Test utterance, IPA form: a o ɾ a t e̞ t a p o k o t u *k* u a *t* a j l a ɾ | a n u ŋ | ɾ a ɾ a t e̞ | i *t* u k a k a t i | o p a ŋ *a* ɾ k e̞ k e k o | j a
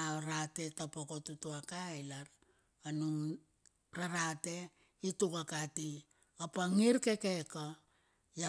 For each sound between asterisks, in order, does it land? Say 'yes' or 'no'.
no, no, yes, no

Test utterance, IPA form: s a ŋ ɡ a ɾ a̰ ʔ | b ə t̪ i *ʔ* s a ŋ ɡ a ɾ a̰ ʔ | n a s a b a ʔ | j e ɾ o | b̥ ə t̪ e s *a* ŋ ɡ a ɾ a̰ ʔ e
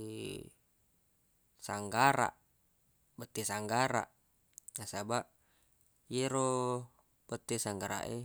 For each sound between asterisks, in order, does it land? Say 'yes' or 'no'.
no, yes

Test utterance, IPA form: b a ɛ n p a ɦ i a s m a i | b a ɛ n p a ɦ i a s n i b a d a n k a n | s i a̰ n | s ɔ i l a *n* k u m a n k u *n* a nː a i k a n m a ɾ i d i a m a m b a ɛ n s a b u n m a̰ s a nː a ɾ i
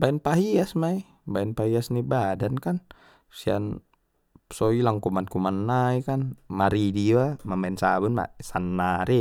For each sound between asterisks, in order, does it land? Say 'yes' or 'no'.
no, no

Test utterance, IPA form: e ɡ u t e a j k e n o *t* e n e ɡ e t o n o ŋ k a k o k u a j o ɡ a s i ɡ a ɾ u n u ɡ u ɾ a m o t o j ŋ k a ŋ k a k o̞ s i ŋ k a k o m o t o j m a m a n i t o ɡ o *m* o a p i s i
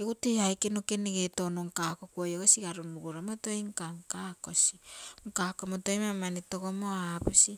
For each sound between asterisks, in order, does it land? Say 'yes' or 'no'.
no, yes

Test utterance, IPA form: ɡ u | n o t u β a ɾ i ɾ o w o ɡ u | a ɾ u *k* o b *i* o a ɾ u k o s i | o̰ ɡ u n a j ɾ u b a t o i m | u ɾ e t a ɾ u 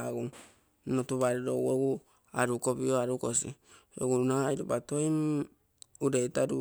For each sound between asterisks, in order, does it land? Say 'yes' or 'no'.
yes, yes

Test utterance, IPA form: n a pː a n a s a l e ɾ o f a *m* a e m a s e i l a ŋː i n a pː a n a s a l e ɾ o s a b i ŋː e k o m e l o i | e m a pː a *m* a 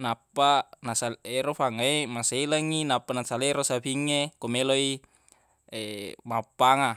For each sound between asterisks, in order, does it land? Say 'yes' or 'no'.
no, no

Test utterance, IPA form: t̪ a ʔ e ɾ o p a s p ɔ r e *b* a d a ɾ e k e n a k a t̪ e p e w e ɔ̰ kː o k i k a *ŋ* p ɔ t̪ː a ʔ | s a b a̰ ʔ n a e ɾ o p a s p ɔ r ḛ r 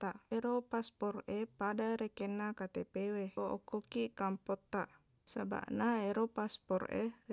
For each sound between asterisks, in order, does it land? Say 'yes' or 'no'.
no, no

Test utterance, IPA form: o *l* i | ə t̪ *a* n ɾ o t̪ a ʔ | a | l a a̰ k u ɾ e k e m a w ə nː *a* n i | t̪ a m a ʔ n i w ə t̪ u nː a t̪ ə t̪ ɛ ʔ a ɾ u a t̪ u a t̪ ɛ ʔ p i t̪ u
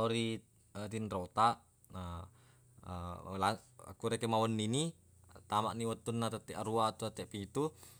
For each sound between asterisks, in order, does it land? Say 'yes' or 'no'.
no, no, no

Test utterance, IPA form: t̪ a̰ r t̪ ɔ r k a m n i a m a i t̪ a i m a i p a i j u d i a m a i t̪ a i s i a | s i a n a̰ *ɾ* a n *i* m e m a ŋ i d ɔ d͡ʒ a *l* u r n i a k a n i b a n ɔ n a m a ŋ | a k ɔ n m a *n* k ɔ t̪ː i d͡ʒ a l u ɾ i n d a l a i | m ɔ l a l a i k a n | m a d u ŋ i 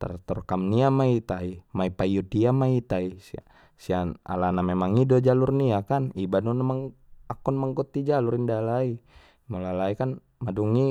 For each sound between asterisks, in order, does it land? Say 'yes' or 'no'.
no, no, yes, no

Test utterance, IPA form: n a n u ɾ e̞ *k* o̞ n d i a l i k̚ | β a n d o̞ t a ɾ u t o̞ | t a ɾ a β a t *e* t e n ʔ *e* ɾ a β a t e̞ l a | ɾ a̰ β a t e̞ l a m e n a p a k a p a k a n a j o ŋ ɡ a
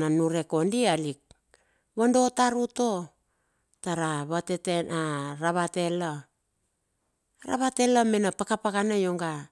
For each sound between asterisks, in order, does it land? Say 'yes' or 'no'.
yes, yes, no

